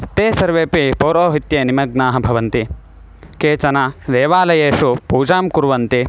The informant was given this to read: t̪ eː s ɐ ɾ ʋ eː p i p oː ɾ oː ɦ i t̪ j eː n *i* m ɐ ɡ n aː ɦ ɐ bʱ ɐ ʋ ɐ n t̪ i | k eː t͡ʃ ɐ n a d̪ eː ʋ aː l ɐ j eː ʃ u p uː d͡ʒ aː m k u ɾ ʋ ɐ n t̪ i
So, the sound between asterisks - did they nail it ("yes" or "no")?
yes